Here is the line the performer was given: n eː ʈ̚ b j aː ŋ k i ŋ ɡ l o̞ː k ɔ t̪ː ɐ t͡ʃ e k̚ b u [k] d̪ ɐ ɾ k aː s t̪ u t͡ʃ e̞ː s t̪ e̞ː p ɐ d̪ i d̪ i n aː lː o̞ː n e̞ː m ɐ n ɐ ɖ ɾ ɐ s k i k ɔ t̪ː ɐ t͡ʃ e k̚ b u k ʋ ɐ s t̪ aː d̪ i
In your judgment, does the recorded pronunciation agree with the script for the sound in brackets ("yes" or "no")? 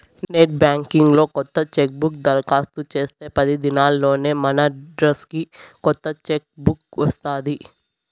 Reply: yes